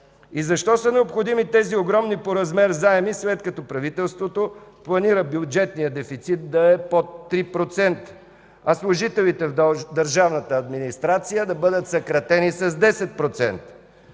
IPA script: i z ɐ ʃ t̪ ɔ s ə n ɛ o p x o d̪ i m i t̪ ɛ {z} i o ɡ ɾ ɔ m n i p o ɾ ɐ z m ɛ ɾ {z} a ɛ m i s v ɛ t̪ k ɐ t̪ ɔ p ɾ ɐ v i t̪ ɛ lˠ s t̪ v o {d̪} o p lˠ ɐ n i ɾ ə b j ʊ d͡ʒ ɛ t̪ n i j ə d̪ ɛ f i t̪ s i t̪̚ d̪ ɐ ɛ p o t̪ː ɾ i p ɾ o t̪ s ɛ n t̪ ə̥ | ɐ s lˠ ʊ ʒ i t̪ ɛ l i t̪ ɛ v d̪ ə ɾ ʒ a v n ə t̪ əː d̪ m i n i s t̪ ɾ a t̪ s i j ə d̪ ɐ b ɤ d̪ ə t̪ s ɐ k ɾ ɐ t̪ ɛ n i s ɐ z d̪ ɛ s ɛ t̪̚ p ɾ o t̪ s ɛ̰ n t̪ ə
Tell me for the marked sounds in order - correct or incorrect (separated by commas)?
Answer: correct, correct, incorrect